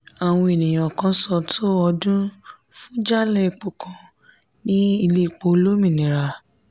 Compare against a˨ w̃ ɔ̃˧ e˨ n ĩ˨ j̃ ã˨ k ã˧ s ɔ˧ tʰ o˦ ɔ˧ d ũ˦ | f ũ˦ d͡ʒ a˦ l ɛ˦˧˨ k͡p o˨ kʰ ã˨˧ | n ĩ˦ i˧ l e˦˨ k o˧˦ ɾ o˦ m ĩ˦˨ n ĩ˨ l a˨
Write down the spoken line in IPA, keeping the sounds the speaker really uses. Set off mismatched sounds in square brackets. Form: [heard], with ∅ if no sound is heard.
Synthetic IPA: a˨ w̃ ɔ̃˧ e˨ n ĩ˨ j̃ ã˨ k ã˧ s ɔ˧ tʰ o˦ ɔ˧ d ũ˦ | f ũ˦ d͡ʒ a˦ l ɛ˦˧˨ k͡p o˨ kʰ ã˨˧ | n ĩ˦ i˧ l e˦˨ [k͡p] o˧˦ [l] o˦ m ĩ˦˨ n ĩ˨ [ɾ] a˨